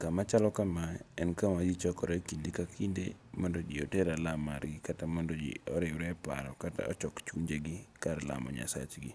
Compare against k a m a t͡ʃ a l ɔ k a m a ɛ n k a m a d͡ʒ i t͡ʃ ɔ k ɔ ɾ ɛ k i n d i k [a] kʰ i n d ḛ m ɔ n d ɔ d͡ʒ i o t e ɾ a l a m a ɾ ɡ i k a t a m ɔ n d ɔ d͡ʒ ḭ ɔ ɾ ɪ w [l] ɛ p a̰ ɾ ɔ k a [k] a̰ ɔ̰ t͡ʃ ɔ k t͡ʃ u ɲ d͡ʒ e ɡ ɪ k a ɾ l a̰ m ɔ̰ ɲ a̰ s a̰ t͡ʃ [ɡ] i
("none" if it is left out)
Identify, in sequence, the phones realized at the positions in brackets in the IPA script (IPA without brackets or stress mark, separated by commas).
a, ɾ, t, ɡ